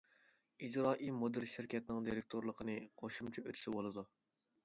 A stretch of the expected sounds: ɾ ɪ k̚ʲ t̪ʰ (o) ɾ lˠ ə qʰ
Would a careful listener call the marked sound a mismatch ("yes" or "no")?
no